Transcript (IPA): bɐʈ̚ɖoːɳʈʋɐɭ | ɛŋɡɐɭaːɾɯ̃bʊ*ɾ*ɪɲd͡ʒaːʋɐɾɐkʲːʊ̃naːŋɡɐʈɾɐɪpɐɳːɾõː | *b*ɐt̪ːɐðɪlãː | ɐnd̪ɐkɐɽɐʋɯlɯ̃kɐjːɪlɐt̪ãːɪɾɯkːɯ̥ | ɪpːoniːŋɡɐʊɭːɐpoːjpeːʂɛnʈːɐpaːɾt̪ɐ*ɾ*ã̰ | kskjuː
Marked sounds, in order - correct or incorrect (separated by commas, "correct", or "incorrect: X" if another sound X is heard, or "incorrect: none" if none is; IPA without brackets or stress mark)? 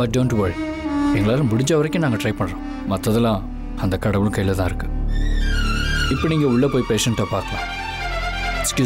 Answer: incorrect: ɽ, incorrect: m, incorrect: l